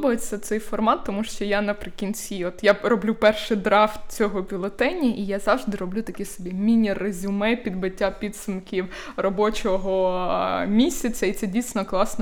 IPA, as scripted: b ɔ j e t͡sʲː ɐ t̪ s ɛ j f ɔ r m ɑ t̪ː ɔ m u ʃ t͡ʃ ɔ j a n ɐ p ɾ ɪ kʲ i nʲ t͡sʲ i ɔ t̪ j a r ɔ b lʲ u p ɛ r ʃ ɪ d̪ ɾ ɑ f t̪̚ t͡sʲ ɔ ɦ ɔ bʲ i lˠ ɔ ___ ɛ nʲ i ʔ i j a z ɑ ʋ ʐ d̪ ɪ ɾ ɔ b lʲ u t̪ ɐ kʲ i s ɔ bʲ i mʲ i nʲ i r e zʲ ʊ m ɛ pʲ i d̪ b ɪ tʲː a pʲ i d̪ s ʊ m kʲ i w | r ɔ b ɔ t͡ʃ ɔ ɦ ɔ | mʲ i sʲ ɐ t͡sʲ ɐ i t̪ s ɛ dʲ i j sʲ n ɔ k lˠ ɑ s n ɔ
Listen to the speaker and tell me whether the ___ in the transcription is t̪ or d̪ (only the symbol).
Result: t̪